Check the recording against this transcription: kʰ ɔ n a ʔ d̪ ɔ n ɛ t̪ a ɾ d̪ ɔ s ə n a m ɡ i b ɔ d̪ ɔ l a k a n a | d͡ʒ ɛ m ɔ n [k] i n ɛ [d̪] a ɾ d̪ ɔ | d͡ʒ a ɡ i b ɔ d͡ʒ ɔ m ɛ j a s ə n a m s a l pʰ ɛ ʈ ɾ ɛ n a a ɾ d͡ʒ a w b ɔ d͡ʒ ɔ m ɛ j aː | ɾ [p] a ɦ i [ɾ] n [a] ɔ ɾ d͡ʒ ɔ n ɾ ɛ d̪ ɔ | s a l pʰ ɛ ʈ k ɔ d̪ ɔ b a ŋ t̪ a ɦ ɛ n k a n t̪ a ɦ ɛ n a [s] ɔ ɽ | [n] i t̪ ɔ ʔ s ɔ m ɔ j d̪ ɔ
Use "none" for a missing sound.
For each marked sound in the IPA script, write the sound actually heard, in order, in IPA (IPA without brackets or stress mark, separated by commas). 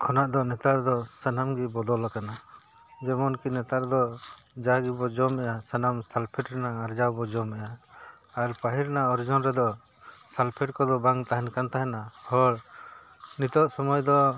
k, t̪, p, ɾ, a, h, n